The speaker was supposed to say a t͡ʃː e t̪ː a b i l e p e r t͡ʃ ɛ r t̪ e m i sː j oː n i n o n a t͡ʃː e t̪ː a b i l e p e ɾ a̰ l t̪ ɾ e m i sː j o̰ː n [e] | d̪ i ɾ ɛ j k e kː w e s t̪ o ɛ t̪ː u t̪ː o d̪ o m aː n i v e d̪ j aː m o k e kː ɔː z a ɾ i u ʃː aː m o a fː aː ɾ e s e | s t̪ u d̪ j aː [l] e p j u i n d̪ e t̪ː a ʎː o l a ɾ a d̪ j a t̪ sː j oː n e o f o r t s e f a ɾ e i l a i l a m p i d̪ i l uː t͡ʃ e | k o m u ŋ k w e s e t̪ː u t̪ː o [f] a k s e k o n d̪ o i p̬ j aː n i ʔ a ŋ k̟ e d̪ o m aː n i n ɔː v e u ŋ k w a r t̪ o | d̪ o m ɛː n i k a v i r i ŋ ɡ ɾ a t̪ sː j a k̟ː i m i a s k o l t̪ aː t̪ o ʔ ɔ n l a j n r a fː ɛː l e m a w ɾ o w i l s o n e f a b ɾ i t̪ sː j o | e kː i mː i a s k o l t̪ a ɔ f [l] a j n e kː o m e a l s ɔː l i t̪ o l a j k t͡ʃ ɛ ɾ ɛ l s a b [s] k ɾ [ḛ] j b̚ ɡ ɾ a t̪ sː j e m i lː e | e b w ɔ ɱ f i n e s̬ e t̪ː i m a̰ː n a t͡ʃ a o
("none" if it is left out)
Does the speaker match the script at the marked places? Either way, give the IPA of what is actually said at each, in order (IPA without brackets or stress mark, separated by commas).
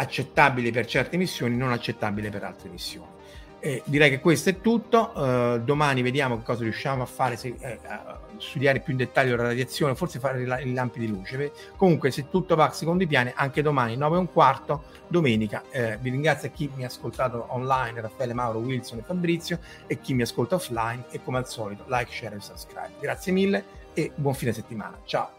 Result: i, ɾ, v, l, s, a̰